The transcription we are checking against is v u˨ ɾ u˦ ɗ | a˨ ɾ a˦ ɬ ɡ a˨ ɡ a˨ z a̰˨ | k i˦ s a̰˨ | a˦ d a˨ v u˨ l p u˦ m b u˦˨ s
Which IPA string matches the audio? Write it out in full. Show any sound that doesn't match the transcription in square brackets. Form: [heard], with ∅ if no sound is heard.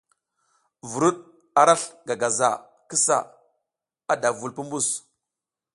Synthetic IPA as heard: v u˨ ɾ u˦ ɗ | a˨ ɾ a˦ ɬ ɡ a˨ ɡ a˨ z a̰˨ | k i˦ s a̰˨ | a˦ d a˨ v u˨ l p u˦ m b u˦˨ s